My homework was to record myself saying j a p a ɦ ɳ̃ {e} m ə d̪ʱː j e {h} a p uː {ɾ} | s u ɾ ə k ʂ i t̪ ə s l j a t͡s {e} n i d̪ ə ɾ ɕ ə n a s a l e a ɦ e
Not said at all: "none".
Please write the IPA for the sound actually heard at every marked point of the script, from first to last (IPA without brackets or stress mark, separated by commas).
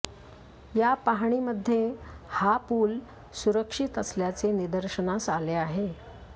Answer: i, h, l, e